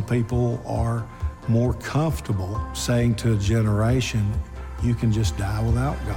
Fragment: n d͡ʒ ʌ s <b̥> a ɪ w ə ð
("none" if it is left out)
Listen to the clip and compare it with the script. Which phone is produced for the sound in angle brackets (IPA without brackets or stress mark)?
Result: d̥